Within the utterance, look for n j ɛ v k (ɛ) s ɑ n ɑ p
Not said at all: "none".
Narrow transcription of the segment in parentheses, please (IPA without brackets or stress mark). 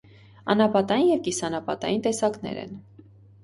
i